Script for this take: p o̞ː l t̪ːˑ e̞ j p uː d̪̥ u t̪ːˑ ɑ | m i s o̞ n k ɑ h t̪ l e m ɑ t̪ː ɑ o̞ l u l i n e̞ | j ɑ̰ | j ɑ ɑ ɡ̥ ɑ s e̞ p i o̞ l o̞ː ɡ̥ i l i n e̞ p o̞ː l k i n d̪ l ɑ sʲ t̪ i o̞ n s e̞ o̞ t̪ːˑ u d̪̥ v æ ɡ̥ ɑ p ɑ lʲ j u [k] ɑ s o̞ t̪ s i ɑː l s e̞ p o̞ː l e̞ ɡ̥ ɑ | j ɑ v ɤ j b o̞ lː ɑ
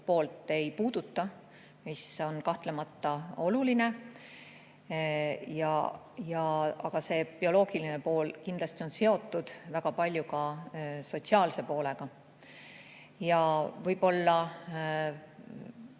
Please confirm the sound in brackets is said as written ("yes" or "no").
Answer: yes